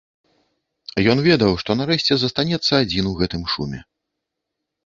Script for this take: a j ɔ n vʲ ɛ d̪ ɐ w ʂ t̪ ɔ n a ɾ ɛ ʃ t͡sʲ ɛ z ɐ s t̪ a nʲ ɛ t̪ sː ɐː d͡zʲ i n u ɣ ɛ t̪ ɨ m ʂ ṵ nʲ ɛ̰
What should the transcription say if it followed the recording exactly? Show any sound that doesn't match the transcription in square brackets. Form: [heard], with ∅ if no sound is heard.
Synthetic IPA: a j ɔ n vʲ ɛ d̪ ɐ w ʂ t̪ ɔ n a ɾ ɛ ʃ t͡sʲ ɛ z ɐ s t̪ a nʲ ɛ t̪ sː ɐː d͡zʲ i n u ɣ ɛ t̪ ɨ m ʂ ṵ [mʲ] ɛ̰